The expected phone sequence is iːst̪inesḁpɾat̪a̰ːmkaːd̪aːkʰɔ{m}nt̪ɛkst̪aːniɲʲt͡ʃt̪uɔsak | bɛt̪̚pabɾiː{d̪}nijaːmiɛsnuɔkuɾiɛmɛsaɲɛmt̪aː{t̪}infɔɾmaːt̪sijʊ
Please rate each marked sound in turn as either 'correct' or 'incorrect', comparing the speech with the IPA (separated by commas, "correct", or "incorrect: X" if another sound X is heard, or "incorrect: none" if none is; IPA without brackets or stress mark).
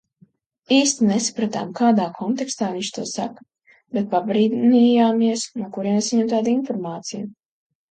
incorrect: none, correct, incorrect: d̪